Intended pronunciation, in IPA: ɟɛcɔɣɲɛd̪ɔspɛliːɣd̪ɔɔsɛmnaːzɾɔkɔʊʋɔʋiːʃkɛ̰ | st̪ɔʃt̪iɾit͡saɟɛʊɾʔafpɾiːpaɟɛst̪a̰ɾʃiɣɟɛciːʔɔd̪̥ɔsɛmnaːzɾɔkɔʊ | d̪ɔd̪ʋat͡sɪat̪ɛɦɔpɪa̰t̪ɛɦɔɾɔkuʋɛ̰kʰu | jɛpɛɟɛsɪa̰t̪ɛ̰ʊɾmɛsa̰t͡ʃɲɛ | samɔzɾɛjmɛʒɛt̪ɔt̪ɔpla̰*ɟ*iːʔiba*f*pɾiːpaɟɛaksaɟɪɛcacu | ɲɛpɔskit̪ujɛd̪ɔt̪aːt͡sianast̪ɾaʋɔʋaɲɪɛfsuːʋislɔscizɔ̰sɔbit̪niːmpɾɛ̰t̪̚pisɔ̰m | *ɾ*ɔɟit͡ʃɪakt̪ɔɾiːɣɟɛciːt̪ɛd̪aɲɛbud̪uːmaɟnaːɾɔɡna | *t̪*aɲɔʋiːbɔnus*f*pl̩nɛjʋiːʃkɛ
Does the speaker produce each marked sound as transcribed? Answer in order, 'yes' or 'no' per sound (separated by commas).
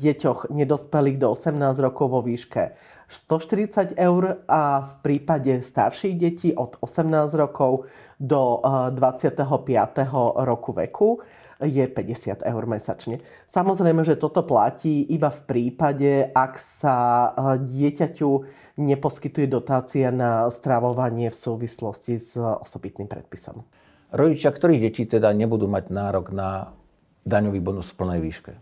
no, yes, yes, no, yes